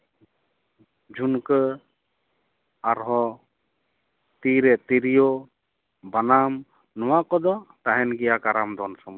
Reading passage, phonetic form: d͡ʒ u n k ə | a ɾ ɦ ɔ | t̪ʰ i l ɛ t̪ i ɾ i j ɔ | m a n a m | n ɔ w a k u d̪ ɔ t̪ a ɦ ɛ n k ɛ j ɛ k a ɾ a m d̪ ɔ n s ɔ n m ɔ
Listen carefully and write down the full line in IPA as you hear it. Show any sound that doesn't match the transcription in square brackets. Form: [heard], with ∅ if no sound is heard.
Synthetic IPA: d͡ʒ u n k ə | a ɾ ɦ ɔ | [t̪] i [ɾ] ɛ t̪ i ɾ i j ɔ | [b] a n a m | n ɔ w a k [ɔ] d̪ ɔ t̪ a ɦ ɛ n [ɡ] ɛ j [a] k a ɾ a m d̪ ɔ n s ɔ [∅] m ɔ